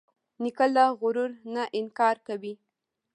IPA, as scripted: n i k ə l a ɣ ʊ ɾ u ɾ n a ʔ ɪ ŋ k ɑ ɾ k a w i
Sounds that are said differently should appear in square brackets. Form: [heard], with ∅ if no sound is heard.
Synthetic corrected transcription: n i k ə l a ɣ ʊ ɾ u ɾ n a ʔ ɪ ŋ k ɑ ɾ k a w i